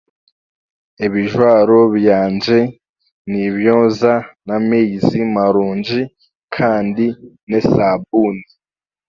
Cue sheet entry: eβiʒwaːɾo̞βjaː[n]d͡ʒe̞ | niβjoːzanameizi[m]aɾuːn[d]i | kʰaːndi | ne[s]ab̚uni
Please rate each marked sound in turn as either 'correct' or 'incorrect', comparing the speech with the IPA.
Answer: correct, correct, incorrect: d͡ʒ, correct

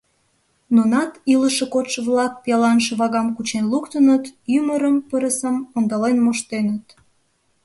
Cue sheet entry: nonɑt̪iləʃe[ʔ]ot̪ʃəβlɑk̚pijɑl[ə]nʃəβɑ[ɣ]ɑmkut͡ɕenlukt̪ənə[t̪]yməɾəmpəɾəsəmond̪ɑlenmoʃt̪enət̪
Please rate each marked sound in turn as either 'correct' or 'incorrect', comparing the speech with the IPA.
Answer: incorrect: k, incorrect: ɑ, correct, correct

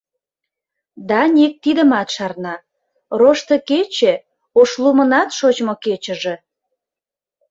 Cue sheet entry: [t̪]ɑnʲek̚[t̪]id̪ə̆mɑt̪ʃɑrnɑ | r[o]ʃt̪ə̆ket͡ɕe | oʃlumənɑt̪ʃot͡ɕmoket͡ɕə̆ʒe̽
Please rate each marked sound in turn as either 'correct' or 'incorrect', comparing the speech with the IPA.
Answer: incorrect: d̪, correct, correct

